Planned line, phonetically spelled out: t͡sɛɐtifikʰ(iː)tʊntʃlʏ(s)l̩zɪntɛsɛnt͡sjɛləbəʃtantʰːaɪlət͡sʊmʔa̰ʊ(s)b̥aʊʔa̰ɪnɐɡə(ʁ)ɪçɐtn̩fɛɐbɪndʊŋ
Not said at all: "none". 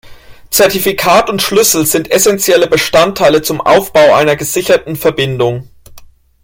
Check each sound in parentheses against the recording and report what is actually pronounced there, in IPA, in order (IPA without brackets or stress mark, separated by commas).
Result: aː, s, f, z